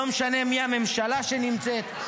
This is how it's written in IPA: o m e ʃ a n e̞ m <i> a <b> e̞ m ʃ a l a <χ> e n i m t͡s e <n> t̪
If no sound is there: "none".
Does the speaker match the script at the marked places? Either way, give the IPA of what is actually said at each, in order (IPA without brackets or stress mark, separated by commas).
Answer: i, m, ʃ, none